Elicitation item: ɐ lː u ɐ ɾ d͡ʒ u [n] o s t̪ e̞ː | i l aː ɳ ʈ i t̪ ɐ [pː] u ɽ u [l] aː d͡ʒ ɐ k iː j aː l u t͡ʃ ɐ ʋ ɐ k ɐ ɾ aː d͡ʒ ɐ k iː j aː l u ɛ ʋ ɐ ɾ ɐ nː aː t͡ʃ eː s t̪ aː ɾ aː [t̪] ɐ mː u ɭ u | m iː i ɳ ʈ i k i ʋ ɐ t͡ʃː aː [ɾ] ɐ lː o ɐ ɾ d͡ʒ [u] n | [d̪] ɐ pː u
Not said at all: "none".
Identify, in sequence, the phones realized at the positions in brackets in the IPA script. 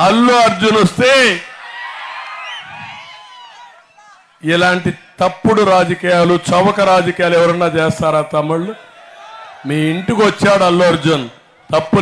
n, pː, ɾ, t̪, ɽ, u, t̪

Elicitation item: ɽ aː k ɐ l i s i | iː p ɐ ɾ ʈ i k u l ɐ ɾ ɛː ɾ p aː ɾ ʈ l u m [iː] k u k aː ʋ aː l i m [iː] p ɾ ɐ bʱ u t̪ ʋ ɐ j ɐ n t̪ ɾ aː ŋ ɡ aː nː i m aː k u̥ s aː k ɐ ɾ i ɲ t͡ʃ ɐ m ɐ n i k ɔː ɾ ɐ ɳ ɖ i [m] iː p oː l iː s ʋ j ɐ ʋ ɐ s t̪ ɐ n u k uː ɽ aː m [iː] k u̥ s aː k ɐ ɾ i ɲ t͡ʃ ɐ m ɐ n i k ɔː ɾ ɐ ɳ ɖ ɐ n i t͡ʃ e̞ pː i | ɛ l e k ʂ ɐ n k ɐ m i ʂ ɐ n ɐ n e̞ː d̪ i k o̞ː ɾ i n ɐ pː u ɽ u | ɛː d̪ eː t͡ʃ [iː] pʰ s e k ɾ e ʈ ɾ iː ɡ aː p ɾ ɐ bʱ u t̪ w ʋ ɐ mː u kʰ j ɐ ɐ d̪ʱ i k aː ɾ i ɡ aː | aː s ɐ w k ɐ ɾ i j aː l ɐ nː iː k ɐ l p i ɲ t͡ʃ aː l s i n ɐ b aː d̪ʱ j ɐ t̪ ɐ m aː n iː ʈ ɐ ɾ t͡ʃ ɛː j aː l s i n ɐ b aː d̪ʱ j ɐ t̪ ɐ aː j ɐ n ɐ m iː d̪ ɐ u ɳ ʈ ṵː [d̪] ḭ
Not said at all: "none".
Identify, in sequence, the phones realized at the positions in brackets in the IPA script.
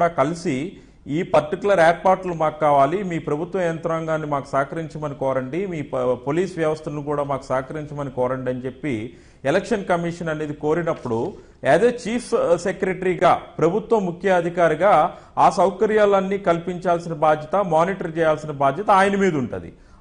aː, iː, m, aː, iː, d̪

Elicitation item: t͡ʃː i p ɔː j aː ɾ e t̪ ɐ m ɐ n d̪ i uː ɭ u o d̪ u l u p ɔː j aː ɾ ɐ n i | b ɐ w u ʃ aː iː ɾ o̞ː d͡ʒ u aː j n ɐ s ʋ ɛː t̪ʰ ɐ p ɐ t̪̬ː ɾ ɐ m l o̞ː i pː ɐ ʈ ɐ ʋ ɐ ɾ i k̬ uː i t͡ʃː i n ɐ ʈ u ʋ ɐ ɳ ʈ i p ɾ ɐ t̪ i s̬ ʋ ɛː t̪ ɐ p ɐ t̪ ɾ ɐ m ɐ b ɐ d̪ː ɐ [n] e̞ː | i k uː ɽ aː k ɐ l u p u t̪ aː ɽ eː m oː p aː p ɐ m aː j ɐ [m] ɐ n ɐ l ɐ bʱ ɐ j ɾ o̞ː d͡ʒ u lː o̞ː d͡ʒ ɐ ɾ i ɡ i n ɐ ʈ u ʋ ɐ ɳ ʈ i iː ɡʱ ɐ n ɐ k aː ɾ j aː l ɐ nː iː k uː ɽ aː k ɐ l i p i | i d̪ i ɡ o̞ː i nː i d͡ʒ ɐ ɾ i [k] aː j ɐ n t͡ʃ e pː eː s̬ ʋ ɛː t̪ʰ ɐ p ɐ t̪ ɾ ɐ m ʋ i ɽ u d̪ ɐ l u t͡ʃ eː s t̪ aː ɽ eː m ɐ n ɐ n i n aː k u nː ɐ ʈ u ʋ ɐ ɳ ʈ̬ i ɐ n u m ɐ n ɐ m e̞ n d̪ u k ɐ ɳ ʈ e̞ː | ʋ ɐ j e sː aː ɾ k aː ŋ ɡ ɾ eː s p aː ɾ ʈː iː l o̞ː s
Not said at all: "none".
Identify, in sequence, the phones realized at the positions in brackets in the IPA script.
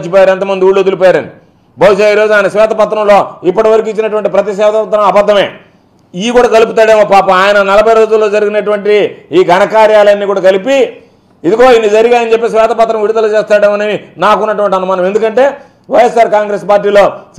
m, n, ɡ

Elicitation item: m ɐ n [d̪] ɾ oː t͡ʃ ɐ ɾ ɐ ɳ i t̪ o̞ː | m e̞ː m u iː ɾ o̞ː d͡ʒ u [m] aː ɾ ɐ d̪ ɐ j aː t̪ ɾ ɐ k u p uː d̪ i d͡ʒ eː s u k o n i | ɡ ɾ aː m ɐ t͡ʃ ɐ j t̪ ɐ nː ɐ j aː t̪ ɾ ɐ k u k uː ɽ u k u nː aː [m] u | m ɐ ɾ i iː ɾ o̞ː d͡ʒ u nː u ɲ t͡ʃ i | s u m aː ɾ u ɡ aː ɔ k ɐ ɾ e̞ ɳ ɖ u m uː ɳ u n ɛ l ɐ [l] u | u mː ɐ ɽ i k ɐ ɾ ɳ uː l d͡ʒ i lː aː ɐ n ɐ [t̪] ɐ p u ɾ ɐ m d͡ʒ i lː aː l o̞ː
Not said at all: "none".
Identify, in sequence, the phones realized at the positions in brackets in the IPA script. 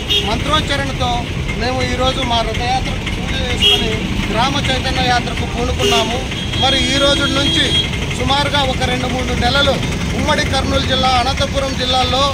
t̪, m, m, l, t̪

